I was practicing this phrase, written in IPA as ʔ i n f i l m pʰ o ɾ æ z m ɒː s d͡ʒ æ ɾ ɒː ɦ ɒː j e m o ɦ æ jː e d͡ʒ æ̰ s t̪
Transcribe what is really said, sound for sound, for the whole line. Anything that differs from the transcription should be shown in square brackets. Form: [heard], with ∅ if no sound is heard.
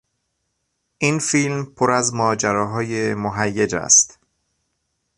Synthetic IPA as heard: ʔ i n f i l m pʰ o ɾ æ z m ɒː [∅] d͡ʒ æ ɾ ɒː ɦ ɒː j e m o ɦ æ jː e d͡ʒ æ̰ s t̪